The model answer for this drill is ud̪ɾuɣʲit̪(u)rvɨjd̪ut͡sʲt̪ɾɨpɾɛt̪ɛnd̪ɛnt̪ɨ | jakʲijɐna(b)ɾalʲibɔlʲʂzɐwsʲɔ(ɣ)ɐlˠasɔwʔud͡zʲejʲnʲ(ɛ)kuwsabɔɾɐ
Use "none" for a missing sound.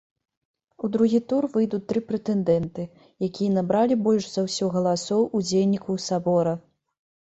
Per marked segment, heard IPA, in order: u, b, ɣ, i

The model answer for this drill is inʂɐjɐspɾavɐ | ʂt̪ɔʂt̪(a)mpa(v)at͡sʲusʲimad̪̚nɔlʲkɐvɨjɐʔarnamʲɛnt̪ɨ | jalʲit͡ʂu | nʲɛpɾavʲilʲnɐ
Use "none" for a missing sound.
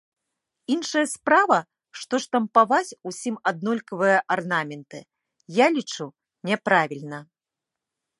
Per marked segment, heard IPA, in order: ɐ, v

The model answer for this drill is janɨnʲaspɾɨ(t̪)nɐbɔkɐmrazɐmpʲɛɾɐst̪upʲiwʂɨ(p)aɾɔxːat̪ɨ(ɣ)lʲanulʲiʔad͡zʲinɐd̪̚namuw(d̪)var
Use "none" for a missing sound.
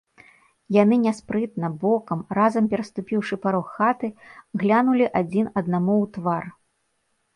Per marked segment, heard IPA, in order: t̪, p, ɣ, t̪

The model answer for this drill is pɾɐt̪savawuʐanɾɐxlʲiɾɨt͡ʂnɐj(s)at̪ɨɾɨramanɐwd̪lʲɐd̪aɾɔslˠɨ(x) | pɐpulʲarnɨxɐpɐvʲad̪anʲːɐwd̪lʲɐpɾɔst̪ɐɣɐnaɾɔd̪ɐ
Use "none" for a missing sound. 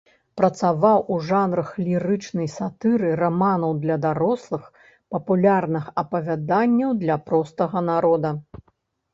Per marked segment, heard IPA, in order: s, x

